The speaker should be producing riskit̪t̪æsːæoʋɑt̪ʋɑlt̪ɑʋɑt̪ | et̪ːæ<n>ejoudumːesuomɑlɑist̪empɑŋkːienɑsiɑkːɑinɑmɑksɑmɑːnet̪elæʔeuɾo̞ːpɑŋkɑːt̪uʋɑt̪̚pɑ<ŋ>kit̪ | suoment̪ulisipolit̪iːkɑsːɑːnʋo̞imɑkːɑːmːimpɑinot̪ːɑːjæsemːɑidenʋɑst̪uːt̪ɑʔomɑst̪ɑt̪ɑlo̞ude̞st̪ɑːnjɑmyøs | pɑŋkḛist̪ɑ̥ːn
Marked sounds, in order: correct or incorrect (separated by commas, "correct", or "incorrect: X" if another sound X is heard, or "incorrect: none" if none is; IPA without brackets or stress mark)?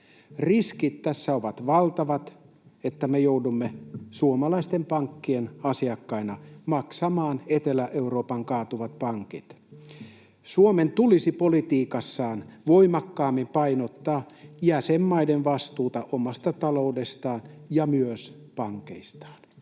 incorrect: m, correct